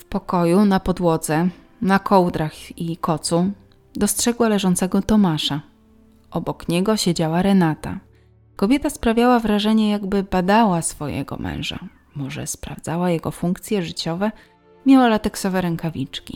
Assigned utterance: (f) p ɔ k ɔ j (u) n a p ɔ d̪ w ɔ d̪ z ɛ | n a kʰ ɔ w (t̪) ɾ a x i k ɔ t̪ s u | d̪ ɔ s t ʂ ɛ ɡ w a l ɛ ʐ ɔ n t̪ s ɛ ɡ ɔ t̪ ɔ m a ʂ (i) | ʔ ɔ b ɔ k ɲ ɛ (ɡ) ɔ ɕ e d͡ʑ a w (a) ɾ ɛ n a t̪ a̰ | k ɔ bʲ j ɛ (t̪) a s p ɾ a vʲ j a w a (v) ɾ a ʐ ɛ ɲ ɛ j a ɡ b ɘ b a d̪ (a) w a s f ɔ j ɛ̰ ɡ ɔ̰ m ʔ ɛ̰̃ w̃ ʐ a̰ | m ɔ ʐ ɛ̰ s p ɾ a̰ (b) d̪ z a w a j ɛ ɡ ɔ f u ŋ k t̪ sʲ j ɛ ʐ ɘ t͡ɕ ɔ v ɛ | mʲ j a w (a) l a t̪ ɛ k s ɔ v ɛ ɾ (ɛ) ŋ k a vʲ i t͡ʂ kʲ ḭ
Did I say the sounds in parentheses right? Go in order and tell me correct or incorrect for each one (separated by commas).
correct, correct, incorrect, incorrect, correct, correct, correct, correct, correct, incorrect, correct, correct